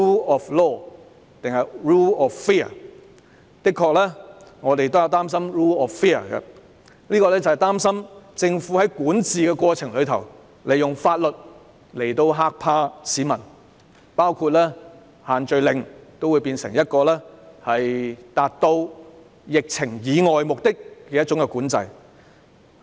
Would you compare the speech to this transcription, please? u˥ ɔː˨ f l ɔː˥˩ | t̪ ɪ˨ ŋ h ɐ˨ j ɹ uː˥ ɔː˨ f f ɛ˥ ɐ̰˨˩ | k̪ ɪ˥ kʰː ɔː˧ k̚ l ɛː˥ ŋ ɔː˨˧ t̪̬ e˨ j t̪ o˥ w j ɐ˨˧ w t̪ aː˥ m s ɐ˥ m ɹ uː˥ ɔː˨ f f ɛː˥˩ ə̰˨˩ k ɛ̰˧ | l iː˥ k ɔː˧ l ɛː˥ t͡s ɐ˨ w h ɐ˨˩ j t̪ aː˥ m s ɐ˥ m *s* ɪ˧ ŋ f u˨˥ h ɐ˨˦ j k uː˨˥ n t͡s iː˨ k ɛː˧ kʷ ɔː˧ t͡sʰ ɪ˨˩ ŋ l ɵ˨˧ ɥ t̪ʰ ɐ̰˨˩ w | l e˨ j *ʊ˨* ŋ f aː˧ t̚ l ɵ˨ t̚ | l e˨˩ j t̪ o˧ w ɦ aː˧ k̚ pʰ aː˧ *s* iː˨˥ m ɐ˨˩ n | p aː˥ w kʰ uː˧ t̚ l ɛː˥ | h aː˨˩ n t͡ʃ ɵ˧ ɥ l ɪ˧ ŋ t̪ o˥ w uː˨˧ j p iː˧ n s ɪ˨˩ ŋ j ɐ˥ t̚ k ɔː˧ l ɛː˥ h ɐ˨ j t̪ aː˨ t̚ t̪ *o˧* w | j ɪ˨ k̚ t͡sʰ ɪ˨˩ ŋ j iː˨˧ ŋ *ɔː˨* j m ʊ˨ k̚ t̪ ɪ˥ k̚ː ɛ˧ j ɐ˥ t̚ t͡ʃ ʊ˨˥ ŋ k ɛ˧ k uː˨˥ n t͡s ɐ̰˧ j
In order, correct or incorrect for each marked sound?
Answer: incorrect: t͡s, correct, correct, correct, correct

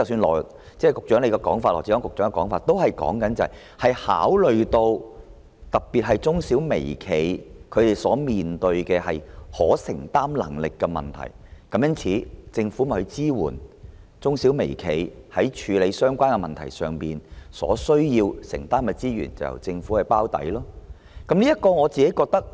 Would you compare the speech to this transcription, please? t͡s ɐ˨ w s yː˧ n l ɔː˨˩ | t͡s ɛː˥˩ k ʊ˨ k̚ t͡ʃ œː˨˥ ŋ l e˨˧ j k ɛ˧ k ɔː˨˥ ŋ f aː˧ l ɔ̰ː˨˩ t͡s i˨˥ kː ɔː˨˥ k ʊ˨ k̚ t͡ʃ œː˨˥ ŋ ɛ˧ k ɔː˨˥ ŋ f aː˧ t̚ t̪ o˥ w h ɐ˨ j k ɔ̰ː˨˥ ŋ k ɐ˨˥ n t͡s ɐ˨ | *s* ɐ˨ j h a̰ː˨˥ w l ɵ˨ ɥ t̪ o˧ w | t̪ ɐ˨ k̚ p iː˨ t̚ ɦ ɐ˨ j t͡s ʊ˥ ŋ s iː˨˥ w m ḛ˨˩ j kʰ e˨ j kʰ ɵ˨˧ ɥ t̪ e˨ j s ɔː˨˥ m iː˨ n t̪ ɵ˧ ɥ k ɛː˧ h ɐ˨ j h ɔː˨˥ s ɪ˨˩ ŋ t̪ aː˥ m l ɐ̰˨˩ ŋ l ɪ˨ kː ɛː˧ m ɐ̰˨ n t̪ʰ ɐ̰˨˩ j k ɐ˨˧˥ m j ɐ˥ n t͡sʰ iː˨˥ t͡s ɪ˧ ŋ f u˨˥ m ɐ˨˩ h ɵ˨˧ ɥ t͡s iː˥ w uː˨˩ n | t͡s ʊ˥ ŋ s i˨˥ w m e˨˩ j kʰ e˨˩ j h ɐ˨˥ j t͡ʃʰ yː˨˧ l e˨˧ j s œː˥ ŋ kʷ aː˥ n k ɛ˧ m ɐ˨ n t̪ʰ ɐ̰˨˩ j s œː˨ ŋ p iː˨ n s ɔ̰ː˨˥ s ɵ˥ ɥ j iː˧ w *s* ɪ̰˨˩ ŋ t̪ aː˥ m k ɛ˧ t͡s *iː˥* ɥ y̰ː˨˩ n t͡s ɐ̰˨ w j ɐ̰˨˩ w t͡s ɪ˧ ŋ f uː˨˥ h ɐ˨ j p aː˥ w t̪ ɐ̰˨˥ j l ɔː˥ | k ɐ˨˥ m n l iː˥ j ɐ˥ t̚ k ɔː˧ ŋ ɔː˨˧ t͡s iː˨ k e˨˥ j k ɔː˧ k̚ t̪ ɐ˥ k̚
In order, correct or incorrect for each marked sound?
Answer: incorrect: h, correct, correct

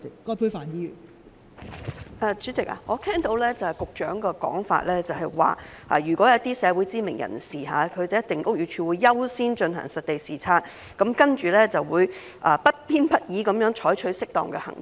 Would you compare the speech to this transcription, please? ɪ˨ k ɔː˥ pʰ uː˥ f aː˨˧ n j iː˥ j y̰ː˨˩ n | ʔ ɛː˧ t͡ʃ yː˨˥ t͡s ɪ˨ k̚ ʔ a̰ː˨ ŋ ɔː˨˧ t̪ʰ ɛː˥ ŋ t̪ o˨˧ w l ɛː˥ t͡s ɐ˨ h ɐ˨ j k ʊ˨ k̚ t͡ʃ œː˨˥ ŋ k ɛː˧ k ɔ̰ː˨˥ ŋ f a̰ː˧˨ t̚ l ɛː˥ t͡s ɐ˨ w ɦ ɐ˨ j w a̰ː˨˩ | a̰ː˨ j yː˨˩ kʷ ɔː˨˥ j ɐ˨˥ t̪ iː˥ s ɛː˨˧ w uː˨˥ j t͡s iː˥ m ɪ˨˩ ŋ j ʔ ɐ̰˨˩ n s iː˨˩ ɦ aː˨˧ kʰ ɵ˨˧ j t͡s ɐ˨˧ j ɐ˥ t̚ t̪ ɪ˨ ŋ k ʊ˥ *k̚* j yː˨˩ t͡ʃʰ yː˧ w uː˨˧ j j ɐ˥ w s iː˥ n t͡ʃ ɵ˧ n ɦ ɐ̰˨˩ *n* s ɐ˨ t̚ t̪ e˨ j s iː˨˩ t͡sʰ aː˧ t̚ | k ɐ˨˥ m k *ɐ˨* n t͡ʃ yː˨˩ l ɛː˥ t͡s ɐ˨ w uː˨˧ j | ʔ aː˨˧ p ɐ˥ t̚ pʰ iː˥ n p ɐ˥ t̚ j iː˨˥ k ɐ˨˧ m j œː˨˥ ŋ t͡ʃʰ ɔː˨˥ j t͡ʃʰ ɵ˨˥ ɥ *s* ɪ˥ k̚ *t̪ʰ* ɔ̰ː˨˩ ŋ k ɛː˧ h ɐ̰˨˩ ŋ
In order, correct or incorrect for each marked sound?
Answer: correct, incorrect: ŋ, incorrect: ɐ˥, correct, incorrect: t̪

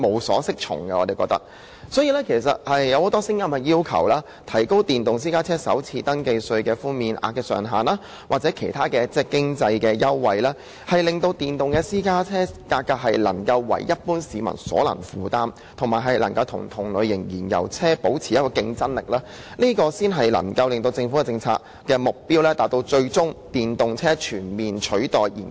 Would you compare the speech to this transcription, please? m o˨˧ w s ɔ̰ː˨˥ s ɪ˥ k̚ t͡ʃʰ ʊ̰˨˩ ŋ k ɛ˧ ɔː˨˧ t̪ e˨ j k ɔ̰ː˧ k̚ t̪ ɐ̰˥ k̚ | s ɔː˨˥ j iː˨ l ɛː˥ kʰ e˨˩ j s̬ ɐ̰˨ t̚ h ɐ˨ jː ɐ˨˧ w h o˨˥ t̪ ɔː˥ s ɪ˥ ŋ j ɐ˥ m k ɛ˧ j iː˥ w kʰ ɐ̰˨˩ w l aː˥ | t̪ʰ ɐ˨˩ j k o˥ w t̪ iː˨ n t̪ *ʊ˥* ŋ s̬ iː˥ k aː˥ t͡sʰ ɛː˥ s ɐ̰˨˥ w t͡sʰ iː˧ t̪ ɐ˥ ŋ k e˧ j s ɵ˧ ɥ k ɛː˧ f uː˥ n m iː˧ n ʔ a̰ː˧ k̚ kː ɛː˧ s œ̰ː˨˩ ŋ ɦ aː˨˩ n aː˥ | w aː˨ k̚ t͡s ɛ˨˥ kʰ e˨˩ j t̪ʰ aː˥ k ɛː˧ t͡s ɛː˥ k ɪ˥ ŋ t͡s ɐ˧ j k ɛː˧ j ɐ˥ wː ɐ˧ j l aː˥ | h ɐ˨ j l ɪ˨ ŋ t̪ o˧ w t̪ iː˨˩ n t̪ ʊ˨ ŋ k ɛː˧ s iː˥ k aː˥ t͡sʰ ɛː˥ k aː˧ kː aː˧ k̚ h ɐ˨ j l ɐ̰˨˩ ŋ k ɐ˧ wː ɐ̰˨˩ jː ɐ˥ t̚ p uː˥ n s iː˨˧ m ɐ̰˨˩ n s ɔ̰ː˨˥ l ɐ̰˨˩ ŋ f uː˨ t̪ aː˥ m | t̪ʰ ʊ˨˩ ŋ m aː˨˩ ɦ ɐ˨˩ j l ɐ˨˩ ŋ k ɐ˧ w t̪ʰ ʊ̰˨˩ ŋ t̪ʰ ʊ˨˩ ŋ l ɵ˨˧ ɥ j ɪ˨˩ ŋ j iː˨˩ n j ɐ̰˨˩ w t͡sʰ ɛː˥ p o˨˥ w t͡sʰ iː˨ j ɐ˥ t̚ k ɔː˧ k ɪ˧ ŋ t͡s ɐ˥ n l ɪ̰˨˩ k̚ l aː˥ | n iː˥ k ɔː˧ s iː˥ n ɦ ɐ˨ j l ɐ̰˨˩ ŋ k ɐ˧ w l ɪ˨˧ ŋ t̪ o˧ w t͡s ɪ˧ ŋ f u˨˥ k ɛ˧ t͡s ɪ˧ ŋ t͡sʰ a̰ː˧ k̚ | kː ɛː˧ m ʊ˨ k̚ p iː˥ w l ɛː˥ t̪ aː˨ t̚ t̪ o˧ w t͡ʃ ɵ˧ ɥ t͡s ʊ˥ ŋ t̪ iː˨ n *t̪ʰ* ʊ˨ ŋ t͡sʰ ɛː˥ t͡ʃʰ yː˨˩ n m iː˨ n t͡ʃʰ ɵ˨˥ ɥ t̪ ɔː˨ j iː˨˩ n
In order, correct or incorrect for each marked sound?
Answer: incorrect: ʊ˨, incorrect: t̪

